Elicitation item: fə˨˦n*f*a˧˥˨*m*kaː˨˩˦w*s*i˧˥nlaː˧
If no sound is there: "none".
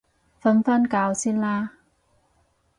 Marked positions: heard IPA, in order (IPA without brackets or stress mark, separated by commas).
f, n, s